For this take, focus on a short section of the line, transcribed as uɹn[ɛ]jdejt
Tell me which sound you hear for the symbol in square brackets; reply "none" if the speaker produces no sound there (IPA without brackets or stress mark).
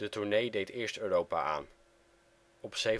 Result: e